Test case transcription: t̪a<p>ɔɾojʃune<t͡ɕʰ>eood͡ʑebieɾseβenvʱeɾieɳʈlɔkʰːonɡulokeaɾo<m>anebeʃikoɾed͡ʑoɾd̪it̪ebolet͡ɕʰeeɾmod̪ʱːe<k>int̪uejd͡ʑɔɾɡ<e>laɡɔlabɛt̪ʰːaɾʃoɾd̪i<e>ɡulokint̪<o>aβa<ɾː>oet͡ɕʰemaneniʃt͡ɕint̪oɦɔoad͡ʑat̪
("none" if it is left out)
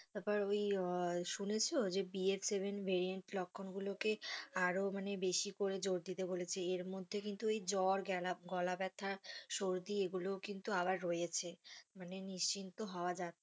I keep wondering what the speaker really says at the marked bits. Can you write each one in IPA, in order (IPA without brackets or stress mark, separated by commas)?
p, t͡ɕʰ, m, k, ɛ, e, u, ɾː